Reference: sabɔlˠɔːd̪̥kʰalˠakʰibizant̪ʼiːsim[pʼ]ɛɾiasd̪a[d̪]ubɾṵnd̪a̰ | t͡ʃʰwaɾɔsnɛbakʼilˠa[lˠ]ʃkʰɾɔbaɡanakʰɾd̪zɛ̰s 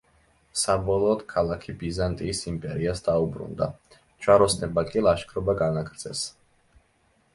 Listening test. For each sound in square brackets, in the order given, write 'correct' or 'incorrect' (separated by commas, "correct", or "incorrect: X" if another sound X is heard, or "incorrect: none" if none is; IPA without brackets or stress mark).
correct, incorrect: none, incorrect: none